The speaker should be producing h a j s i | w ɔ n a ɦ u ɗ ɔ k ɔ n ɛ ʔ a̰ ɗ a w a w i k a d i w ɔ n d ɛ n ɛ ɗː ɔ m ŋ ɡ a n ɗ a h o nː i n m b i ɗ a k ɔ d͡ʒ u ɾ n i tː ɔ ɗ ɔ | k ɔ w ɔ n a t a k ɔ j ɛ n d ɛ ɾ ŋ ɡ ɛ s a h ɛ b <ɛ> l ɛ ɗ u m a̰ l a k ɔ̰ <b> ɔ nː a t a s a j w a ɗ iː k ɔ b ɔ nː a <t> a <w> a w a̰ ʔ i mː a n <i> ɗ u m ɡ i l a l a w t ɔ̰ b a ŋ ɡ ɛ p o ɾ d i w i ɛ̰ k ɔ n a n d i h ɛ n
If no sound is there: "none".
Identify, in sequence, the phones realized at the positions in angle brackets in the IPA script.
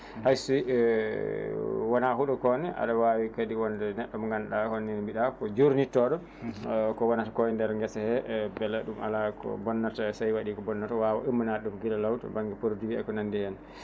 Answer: ɛ, b, t, w, a

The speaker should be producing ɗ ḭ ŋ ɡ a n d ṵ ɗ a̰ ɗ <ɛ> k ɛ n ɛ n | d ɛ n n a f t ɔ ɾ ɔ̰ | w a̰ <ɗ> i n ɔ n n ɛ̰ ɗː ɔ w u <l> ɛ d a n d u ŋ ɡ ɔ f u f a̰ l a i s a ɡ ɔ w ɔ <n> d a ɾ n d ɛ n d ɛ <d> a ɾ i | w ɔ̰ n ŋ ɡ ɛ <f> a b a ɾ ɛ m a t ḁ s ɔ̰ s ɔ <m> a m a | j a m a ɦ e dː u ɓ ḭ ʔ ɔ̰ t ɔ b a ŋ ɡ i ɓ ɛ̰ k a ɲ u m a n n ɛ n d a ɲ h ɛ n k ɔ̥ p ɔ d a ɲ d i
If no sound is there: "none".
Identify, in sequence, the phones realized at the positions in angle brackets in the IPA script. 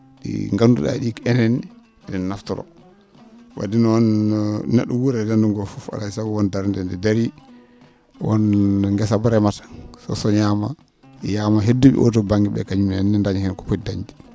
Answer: i, d, ɾ, n, d, s, ɲ

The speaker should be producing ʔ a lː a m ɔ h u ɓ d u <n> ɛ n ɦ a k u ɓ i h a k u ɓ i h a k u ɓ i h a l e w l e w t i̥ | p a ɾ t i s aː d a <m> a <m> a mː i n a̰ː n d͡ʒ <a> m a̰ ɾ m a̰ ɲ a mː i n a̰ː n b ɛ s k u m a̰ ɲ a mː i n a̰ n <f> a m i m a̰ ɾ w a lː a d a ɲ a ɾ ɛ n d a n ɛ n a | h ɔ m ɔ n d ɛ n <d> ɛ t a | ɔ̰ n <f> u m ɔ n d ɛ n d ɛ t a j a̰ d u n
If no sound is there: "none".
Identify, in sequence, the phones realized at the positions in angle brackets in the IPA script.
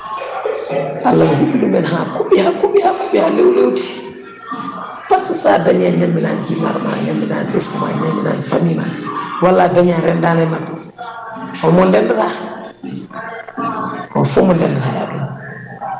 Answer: m, ɲ, ɲ, i, f, d, f

